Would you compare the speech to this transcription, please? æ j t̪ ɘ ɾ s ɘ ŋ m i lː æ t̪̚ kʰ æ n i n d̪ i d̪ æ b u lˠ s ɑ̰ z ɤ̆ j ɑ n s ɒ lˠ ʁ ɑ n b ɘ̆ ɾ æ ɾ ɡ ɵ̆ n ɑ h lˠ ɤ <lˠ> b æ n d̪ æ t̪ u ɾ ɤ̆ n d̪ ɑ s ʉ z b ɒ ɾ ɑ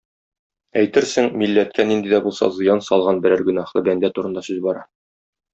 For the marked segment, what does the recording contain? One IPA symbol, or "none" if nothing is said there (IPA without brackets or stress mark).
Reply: none